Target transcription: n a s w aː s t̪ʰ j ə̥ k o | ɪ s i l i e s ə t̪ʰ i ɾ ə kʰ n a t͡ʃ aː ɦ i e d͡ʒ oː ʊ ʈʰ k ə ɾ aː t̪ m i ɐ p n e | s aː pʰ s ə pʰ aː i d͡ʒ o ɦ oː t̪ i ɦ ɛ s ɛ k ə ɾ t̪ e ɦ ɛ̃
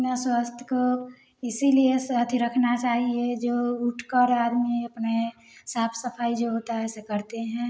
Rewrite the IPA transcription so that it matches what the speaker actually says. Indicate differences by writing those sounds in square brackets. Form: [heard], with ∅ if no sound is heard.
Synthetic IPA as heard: n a s w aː s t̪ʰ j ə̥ k o | ɪ s i l i e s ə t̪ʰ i ɾ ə kʰ n a t͡ʃ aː ɦ i e d͡ʒ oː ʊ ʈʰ k ə ɾ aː [d̪] m i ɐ p n e | s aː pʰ s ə pʰ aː i d͡ʒ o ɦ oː t̪ [a] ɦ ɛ s [e] k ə ɾ t̪ e ɦ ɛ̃